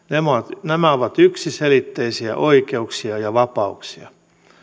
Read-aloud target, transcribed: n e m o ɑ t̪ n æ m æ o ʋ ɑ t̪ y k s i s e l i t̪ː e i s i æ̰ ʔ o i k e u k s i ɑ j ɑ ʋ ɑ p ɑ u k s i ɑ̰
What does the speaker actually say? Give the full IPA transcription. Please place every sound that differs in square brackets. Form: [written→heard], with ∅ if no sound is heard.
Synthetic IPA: n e m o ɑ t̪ n æ m æ o ʋ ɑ t̪ y k s i s e l i t̪ː e i s i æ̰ ʔ o i k e u k s i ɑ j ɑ ʋ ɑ p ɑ u k s i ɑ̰